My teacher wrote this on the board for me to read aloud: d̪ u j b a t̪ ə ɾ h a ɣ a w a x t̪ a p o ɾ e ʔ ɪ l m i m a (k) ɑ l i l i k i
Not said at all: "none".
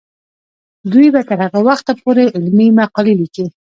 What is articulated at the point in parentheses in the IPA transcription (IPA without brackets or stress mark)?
q